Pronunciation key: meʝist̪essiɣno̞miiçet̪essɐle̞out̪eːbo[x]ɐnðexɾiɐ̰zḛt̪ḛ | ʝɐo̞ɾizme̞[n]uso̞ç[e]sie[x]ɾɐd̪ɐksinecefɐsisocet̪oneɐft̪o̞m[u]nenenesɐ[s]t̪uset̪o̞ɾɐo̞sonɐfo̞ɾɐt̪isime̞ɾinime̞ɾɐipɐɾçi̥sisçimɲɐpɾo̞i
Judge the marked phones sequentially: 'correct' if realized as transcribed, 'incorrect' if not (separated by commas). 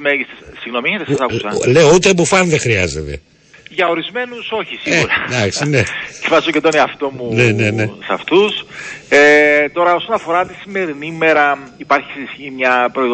incorrect, correct, incorrect, incorrect, correct, incorrect